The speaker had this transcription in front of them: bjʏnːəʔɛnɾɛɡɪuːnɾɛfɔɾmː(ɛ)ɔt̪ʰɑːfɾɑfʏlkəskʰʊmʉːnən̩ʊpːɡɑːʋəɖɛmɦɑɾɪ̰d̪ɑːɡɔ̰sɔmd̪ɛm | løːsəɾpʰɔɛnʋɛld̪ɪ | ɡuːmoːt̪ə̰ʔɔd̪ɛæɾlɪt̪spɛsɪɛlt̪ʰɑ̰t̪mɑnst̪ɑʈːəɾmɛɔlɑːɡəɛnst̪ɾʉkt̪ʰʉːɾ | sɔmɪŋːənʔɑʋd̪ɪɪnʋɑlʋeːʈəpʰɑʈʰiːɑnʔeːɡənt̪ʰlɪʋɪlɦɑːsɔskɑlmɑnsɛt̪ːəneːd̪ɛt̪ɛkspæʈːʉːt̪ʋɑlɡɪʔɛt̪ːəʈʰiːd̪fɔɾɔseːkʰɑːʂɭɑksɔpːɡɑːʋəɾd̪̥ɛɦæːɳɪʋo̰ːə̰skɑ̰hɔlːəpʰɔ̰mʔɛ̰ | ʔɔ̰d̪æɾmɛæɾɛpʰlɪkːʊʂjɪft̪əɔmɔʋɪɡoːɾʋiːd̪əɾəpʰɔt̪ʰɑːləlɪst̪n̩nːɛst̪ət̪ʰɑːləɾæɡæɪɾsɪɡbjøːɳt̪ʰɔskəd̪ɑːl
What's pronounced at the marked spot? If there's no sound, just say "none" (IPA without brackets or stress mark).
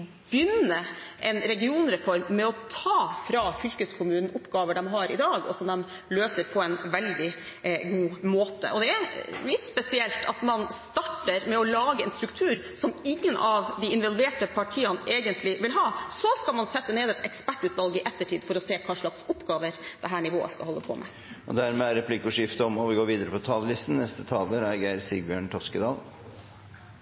ɛ